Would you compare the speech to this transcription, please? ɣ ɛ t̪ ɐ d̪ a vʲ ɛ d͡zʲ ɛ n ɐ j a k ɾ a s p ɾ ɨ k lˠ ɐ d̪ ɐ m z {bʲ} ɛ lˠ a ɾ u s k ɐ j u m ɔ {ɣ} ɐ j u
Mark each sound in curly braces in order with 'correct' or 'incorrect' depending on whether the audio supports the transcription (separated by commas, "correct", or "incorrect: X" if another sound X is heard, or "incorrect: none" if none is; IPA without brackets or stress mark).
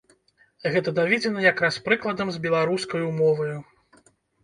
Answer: correct, incorrect: v